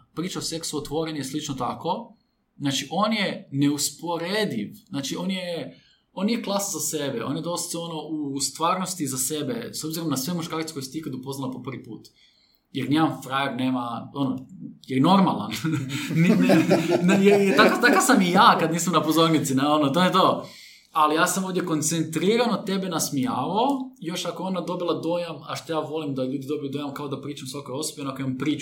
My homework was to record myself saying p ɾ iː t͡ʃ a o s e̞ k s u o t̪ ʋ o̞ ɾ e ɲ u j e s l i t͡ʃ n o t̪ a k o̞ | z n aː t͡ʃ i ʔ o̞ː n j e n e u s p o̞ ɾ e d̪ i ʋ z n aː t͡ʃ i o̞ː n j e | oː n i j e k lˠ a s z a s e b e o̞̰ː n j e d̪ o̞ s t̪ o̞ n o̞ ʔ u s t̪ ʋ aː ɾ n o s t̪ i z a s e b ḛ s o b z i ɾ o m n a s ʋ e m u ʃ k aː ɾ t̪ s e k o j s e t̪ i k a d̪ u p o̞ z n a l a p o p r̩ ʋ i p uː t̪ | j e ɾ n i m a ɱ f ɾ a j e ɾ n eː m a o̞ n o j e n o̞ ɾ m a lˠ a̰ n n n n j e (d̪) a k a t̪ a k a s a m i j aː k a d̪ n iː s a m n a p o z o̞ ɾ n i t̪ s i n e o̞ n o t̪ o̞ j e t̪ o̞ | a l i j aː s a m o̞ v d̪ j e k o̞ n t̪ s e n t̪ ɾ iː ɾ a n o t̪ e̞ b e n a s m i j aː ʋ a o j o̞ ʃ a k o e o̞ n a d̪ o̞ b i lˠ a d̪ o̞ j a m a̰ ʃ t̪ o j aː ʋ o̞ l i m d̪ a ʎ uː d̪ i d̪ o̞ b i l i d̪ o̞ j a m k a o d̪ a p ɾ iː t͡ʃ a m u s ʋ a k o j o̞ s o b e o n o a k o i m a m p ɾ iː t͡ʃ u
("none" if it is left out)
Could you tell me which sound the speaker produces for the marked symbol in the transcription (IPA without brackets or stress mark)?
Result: t̪